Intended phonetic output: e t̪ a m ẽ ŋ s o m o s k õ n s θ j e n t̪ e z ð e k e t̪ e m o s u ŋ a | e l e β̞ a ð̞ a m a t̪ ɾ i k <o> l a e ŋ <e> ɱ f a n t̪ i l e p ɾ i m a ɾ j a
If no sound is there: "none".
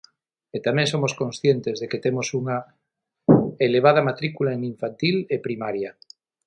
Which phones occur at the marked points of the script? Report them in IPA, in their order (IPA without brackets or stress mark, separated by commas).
u, i